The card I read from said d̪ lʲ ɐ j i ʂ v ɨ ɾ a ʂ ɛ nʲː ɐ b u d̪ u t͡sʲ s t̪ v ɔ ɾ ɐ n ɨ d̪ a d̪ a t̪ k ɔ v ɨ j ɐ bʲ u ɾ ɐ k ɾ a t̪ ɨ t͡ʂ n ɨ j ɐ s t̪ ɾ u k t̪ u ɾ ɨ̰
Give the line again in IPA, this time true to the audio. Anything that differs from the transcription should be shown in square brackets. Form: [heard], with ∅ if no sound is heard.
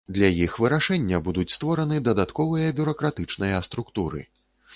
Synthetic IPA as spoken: d̪ lʲ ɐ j i [x] v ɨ ɾ a ʂ ɛ nʲː ɐ b u d̪ u t͡sʲ s t̪ v ɔ ɾ ɐ n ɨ d̪ [ɐ] d̪ a t̪ k ɔ v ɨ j ɐ bʲ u ɾ ɐ k ɾ a t̪ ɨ t͡ʂ n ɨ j ɐ s t̪ ɾ u k t̪ u ɾ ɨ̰